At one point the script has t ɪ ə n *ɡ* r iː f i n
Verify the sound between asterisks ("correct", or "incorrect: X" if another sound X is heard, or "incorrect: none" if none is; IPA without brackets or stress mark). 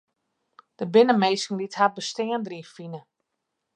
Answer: incorrect: d